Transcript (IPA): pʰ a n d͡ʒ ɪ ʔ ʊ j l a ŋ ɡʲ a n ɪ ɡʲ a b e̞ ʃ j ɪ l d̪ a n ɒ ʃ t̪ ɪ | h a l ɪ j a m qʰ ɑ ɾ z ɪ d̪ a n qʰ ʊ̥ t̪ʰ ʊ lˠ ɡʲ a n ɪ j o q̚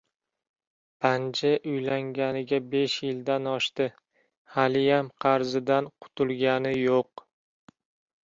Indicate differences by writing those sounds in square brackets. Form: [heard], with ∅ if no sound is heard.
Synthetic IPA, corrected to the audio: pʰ a n d͡ʒ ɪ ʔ ʊ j l a ŋ ɡʲ a n ɪ ɡʲ a b e̞ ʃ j ɪ l d̪ a n ɒ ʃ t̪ ɪ | h a l ɪ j a m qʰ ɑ ɾ z ɪ d̪ a n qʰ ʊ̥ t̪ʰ ʊ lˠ ɡʲ a n ɪ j o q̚